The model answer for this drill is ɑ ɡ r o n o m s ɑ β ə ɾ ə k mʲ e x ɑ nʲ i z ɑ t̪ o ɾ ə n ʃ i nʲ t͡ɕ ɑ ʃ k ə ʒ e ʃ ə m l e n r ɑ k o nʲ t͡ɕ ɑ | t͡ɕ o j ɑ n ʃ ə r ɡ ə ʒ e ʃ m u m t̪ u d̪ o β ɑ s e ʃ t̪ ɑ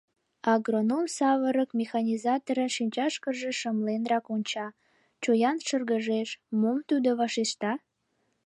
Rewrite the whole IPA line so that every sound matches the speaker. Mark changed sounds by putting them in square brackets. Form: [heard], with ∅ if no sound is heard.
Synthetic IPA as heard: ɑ ɡ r o n o m s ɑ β ə ɾ ə k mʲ e x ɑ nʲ i z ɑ t̪ o ɾ ə n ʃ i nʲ t͡ɕ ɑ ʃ k ə ʒ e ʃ ə m l e n r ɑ k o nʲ t͡ɕ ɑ | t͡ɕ o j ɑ n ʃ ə r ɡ ə ʒ e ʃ m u m t̪ u d̪ o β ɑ [ʃ] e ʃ t̪ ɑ